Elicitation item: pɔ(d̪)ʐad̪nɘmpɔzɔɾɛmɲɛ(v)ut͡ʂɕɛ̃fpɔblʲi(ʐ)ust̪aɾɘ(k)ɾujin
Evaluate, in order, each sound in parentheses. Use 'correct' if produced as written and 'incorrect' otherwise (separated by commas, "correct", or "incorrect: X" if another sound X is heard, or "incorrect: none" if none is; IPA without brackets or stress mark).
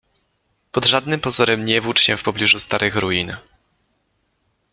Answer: correct, correct, correct, incorrect: x